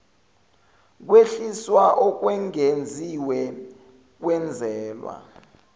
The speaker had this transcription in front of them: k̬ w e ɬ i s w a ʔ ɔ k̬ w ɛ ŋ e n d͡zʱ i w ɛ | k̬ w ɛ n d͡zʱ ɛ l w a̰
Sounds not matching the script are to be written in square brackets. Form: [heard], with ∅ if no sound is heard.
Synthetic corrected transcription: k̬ w e ɬ i s w a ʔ ɔ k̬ w ɛ ŋ e n d͡zʱ i w ɛ | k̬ w ɛ n d͡zʱ [ɛː] l w a̰